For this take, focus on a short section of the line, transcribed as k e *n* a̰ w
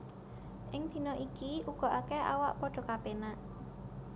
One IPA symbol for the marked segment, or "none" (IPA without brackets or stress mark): none